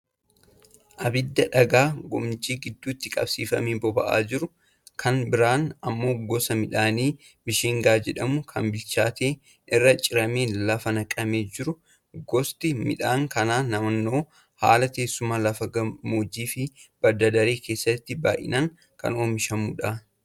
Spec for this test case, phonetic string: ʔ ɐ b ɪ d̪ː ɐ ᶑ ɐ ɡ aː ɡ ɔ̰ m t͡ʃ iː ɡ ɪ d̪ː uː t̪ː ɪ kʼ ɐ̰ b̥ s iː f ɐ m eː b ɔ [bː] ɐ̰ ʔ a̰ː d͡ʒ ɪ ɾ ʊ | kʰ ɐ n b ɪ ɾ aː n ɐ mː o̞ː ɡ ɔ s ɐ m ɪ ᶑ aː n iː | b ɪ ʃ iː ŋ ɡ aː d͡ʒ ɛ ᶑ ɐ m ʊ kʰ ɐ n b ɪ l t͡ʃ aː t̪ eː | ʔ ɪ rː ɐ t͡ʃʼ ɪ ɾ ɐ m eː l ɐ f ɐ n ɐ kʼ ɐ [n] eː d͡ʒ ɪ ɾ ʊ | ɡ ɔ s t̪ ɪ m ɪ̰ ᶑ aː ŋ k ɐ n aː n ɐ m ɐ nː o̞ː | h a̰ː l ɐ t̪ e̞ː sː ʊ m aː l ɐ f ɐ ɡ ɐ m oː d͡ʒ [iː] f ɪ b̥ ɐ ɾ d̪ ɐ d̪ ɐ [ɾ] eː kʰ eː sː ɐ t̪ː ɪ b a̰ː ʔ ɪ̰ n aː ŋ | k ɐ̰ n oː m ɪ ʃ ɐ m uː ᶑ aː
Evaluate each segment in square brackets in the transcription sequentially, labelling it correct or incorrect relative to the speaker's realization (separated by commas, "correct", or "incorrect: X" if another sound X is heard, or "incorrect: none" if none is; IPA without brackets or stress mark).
incorrect: b, incorrect: m, correct, correct